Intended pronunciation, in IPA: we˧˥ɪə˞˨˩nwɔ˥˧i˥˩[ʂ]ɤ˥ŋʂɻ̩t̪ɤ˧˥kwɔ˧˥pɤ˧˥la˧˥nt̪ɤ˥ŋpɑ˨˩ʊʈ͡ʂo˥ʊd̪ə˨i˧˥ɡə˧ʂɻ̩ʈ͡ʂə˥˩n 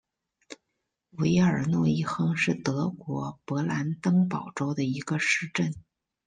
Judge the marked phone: incorrect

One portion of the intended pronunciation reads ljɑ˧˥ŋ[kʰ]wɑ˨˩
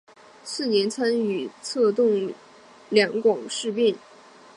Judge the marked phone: incorrect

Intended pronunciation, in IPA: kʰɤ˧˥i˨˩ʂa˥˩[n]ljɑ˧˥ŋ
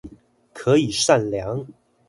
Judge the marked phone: correct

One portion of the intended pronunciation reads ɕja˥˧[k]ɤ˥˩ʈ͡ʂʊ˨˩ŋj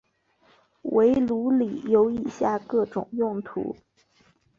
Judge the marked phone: correct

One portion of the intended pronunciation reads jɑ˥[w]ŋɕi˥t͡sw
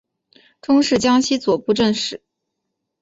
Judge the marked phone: incorrect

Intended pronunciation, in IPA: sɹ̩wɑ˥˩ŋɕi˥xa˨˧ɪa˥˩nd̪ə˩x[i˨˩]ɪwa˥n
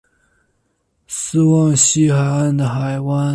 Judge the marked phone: incorrect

